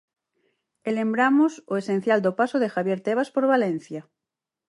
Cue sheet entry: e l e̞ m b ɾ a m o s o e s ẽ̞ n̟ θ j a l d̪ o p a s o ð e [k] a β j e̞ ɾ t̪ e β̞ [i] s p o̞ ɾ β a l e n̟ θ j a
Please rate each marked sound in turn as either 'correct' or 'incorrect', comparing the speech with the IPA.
incorrect, incorrect

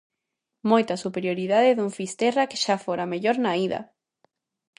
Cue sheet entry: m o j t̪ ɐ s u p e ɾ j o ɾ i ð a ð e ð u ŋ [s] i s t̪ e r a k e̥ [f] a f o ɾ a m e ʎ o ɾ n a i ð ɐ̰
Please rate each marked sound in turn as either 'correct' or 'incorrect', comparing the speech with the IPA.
incorrect, incorrect

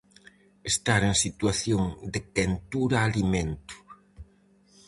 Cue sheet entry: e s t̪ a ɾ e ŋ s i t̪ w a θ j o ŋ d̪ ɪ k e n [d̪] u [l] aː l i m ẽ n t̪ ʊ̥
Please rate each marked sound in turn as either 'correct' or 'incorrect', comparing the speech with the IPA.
incorrect, incorrect

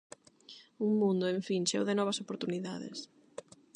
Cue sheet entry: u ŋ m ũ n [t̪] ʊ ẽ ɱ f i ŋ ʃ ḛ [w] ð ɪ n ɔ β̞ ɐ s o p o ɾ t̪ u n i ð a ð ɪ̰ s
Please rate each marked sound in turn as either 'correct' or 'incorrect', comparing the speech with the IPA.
incorrect, correct

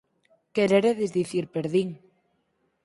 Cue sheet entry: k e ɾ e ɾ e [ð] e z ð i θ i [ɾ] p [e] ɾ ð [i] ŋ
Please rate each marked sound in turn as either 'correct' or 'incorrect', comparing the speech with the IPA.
correct, correct, correct, correct

